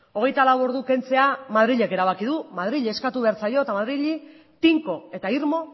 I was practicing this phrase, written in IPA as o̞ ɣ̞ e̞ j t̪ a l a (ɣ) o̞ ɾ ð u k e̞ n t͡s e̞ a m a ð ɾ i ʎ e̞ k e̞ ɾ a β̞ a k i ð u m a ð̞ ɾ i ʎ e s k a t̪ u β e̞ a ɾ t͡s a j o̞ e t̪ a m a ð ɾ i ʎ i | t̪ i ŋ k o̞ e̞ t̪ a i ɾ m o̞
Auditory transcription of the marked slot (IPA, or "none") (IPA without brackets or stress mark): w